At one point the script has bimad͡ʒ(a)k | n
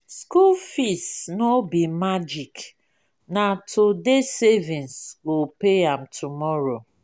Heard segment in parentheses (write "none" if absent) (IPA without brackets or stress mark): i